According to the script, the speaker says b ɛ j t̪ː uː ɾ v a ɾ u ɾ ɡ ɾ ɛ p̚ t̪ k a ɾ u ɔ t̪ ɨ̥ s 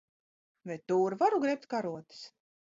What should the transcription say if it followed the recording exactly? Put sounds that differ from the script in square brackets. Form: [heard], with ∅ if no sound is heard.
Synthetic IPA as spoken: [v] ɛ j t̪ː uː ɾ v a ɾ u [∅] ɡ ɾ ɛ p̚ t̪ k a ɾ u ɔ t̪ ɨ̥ s